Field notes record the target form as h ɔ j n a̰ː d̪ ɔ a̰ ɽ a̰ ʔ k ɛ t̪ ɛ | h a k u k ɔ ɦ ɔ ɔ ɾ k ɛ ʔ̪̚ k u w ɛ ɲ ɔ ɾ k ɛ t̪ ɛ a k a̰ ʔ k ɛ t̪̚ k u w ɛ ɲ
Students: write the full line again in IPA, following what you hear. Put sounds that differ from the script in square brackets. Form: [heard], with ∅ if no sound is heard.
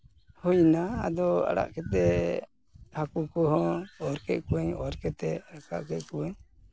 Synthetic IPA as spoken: h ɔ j n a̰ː d̪ ɔ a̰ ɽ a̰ ʔ k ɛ t̪ ɛ | h a k u k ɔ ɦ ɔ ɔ ɾ k ɛ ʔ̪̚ k u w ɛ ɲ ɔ ɾ k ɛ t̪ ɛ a k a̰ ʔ k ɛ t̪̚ k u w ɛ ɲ